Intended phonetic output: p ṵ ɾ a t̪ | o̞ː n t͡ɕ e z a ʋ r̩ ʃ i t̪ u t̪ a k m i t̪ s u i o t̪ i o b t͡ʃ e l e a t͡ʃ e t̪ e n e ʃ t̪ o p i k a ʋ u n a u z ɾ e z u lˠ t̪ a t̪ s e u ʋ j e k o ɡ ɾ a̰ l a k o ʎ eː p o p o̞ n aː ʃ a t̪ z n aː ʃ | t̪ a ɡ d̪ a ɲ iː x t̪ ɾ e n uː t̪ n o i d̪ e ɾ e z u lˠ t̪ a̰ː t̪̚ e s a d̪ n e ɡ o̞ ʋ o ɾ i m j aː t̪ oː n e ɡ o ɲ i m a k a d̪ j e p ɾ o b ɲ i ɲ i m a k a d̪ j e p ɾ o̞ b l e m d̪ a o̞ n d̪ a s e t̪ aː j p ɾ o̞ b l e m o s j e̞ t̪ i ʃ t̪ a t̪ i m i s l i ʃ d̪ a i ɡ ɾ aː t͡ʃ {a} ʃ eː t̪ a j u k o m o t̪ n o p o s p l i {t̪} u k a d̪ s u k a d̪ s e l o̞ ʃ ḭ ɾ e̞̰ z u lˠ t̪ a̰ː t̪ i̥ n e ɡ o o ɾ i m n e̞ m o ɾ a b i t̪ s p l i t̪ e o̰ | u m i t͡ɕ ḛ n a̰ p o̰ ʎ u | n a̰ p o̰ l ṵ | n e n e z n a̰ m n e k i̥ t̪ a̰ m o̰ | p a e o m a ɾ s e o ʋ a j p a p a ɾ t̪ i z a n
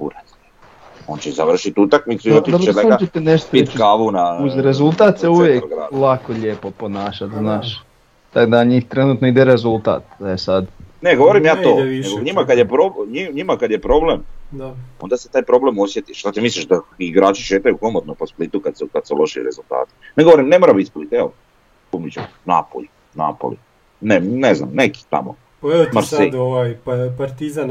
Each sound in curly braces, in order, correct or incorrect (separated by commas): incorrect, correct